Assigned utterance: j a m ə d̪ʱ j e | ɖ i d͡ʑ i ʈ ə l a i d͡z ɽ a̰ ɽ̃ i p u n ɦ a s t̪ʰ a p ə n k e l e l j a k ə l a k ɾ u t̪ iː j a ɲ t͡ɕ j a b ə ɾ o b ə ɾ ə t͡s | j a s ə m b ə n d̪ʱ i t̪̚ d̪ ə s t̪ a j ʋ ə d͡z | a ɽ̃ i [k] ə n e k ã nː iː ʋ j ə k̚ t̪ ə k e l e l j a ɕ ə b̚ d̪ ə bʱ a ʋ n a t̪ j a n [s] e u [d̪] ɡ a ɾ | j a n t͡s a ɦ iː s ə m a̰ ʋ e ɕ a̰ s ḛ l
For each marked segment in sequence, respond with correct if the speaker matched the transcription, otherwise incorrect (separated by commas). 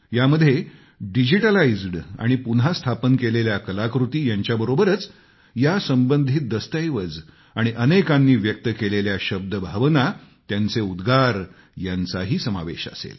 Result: incorrect, incorrect, correct